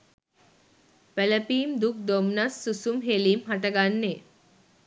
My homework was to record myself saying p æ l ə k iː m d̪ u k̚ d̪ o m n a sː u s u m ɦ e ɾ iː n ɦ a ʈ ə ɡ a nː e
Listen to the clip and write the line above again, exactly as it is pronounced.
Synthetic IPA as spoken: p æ l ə p iː m d̪ u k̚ d̪ o m n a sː u s u m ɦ e l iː m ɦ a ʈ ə ɡ a nː e

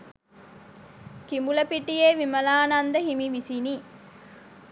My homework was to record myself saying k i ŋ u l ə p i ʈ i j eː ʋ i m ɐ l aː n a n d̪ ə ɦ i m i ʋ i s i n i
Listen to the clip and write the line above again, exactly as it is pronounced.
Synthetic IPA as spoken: k i m u l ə p i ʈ i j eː ʋ i m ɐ l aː n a n d̪ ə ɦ i m i ʋ i s i n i

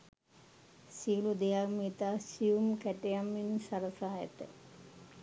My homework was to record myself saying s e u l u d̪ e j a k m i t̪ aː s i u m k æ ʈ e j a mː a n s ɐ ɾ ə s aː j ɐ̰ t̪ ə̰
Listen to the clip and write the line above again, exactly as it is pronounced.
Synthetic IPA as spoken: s i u l u d̪ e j a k m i t̪ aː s i u m k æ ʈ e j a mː i n s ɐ ɾ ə s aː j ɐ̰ t̪ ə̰

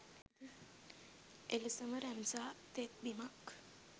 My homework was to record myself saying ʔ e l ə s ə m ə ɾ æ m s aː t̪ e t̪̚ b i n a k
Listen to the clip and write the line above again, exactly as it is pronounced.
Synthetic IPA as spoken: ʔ e l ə s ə m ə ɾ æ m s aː t̪ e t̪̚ b i m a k

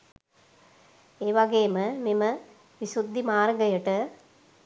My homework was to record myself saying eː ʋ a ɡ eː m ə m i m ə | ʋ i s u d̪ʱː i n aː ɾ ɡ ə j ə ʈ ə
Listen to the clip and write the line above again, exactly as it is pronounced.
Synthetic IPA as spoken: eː ʋ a ɡ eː m ə m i m ə | ʋ i s u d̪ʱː i m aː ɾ ɡ ə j ə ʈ ə

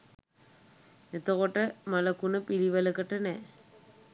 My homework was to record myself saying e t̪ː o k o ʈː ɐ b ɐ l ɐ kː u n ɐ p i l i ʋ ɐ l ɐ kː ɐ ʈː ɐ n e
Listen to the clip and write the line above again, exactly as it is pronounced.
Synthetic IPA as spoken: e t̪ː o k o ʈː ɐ m ɐ l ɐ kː u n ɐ p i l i ʋ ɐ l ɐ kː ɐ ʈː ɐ n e

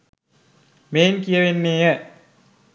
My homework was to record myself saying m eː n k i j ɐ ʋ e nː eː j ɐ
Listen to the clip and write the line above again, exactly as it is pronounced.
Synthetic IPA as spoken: m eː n k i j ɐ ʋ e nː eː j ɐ

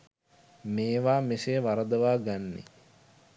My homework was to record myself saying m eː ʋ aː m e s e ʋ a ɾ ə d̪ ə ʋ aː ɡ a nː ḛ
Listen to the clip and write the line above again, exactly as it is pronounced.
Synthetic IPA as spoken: m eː ʋ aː m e s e ʋ a ɾ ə d̪ ə ʋ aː ɡ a nː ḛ

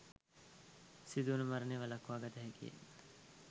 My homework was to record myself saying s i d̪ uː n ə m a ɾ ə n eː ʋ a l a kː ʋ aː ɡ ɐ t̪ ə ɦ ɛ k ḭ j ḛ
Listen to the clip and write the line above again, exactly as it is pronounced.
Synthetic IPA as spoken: s i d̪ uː n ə m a ɾ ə n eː ʋ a l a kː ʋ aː ɡ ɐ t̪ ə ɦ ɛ k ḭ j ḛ

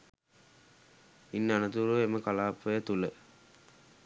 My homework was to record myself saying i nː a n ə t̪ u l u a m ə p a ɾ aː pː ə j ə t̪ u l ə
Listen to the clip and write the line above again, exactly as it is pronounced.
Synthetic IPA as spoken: i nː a n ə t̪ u ɾ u e m ə k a l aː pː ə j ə t̪ u l ə

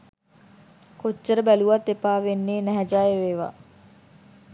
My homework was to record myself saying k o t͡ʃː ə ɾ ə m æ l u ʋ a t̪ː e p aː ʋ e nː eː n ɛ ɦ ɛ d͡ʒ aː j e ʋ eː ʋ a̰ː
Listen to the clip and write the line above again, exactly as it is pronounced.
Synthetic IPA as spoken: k o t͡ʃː ə ɾ ə b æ l u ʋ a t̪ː e p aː ʋ e nː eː n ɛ ɦ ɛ d͡ʒ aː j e ʋ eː ʋ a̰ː

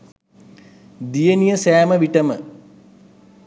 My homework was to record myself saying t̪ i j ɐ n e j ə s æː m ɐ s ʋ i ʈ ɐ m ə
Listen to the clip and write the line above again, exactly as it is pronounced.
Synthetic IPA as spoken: d̪ i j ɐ n i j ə s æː m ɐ ʋ i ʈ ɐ m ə

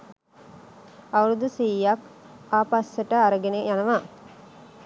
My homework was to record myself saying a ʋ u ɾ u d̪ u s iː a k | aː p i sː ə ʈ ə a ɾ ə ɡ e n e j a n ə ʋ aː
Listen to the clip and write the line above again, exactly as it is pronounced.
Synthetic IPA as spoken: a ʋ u ɾ u d̪ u s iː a k | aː p a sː ə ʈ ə a ɾ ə ɡ e n e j a n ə ʋ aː

